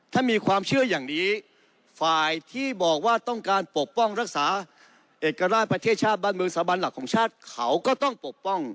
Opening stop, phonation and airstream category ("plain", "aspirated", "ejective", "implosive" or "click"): aspirated